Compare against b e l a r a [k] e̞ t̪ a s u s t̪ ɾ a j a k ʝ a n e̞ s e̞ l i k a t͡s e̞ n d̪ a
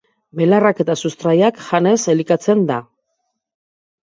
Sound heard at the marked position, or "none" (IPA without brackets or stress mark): k